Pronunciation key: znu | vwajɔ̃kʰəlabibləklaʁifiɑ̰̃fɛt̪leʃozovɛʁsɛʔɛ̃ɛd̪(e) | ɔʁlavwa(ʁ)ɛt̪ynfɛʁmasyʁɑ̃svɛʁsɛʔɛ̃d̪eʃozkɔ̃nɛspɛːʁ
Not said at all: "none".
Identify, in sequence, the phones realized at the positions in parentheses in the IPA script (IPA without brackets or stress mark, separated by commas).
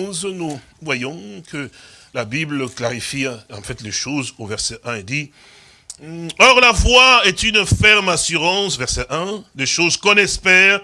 i, none